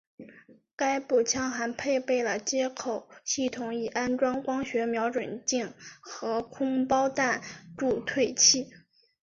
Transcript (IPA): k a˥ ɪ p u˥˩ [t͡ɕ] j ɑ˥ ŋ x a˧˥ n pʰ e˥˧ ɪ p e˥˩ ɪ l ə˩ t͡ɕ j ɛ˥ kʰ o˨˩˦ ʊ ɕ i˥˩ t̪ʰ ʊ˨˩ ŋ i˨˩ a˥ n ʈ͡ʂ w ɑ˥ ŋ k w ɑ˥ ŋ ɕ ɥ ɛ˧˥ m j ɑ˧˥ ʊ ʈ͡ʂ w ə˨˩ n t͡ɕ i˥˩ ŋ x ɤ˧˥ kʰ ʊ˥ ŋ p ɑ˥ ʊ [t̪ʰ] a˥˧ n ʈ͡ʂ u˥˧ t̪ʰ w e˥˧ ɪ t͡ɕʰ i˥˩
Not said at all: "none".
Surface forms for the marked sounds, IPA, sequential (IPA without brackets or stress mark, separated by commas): t͡ɕʰ, t̪